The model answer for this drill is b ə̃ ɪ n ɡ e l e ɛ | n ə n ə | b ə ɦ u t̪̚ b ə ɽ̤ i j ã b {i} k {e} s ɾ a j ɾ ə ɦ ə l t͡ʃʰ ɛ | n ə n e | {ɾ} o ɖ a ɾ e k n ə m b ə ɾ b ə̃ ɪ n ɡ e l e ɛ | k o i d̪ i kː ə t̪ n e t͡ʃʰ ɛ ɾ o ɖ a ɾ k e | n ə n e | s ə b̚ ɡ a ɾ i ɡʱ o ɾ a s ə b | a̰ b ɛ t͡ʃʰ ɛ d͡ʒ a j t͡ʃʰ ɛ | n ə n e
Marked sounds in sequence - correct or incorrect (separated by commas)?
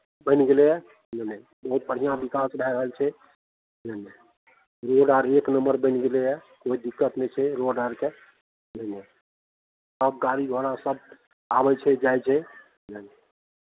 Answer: correct, incorrect, correct